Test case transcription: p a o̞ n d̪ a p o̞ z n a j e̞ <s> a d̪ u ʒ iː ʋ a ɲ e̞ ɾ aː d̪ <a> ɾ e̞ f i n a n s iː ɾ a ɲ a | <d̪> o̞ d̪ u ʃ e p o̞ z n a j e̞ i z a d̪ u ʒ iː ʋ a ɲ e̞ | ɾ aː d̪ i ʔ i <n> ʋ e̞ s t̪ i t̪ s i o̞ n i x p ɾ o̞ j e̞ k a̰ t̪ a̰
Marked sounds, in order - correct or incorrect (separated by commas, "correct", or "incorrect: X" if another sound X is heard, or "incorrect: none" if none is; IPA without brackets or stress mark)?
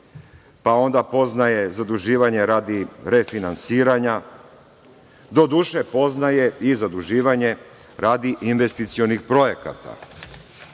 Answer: incorrect: z, incorrect: i, correct, correct